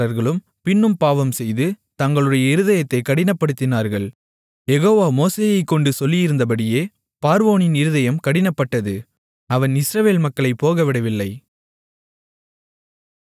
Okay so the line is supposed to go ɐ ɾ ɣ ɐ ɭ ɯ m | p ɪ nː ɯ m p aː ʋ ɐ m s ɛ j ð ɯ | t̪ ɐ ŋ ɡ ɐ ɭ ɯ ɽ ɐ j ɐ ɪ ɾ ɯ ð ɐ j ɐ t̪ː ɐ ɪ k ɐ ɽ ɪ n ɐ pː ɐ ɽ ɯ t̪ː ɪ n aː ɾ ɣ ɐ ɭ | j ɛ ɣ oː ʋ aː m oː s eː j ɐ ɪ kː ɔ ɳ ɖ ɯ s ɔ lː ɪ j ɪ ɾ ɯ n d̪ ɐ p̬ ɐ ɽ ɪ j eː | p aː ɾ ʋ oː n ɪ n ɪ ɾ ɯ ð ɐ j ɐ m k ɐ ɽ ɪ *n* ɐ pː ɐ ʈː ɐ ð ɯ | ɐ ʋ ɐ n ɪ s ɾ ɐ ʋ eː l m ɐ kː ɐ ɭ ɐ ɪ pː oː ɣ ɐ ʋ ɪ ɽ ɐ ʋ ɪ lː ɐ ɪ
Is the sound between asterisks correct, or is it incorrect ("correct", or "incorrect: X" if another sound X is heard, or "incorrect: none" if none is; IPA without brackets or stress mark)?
correct